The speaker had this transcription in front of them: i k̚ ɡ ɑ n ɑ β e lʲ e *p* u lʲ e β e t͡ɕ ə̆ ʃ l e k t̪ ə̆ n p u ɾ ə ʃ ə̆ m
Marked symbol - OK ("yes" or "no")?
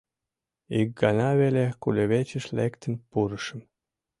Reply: no